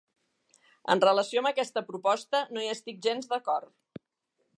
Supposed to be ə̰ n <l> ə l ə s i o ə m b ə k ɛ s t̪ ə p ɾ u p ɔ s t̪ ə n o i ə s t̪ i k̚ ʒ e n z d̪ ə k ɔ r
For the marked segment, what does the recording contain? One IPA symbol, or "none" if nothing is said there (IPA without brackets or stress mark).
r